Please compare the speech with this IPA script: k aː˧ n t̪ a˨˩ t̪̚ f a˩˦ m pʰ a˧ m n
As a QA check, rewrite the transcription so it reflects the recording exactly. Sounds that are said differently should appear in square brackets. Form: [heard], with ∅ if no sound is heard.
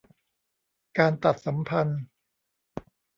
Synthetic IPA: k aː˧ n t̪ a˨˩ t̪̚ [s] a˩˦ m pʰ a˧ [∅] n